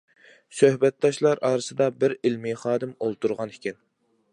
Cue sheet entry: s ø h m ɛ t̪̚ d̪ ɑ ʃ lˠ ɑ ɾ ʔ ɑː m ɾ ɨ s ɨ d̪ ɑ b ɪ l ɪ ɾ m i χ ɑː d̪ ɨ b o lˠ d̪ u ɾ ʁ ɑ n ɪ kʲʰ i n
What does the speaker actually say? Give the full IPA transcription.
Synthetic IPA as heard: s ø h b ɛ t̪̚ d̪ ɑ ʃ lˠ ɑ ɾ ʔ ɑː ɾ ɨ s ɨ d̪ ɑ b ɪ ɾ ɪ l m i χ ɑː d̪ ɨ m o lˠ t̪ u ɾ ʁ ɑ n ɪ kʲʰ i n